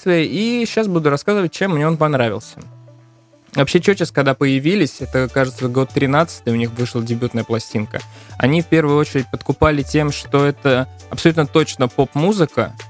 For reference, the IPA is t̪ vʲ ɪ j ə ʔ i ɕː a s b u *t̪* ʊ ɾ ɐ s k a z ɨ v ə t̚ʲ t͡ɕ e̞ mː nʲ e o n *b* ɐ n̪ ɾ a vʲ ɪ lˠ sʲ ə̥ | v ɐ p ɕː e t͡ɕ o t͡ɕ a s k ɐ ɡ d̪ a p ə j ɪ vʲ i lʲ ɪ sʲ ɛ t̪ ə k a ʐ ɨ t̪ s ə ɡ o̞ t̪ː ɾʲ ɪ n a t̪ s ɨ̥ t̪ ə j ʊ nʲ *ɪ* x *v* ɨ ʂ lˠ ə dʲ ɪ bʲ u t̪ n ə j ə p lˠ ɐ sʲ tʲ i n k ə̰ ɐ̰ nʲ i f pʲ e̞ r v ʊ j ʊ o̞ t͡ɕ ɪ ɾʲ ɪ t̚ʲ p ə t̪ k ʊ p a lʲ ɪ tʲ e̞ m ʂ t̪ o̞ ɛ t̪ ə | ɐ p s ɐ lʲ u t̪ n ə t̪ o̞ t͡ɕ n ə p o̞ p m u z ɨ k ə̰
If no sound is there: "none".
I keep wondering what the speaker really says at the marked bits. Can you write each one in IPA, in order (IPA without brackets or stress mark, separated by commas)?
d̪, p, i, v